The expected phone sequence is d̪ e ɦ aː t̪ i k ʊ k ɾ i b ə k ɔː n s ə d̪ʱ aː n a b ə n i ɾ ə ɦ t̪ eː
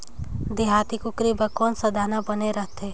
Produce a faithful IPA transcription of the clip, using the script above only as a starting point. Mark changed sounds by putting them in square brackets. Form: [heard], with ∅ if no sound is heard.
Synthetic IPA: d̪ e ɦ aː t̪ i k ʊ k ɾ i b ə k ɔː n s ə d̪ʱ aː n a b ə n [e] ɾ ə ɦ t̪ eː